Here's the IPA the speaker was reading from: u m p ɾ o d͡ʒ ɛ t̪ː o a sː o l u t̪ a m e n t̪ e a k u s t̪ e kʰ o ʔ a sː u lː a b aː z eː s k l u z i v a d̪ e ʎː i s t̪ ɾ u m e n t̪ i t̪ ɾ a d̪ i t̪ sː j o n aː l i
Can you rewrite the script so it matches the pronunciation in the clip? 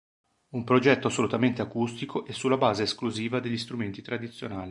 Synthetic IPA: u m p ɾ o d͡ʒ ɛ t̪ː o a sː o l u t̪ a m e n t̪ e a k u s t̪ i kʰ o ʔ ɛ sː u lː a b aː z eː s k l u z iː v a d̪ e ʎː i s t̪ ɾ u m e n t̪ i t̪ ɾ a d̪ i t̪ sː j o n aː l i